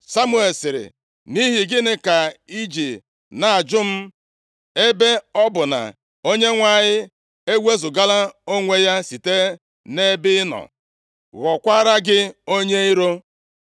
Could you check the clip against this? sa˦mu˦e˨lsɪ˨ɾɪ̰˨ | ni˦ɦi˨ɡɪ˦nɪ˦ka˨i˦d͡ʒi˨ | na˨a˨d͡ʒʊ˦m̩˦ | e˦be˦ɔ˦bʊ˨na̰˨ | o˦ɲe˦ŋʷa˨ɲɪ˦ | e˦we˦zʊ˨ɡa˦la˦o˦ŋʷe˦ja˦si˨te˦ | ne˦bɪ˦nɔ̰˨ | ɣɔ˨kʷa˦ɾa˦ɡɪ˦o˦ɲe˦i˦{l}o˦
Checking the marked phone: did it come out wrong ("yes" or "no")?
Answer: yes